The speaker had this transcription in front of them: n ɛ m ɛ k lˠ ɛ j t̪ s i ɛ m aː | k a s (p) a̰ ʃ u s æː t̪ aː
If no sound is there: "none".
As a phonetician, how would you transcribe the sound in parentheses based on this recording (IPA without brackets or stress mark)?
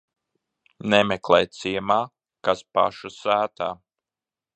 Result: p